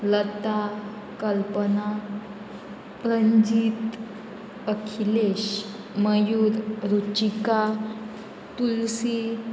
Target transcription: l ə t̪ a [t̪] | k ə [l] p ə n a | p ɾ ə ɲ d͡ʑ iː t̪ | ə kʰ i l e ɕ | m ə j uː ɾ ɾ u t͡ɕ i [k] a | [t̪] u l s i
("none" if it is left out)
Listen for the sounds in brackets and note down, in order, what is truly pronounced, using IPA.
none, l, k, t̪

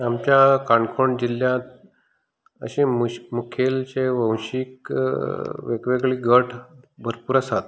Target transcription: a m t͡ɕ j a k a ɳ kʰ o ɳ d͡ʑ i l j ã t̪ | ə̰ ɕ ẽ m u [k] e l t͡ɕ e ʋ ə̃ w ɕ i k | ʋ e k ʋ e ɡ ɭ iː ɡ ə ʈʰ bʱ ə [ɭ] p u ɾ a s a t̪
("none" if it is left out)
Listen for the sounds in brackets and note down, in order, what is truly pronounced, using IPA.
kʰ, ɾ

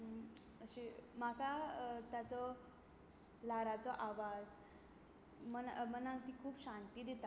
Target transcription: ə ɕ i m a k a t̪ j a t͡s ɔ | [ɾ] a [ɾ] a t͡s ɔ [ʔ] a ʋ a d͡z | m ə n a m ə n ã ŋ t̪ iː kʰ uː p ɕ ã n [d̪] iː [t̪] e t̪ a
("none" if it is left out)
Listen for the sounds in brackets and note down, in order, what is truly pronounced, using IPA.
l, ɾ, ʔ, t̪, d̪

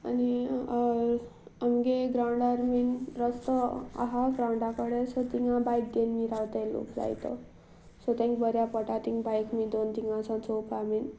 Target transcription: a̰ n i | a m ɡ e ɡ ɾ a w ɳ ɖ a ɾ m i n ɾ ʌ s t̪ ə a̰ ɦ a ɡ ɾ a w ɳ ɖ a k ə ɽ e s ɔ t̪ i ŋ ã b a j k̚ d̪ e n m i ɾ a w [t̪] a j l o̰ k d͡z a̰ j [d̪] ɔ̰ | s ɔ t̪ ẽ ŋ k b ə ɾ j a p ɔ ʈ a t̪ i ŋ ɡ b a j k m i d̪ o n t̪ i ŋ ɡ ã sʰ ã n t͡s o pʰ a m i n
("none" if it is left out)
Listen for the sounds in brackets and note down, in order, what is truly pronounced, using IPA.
t̪, t̪

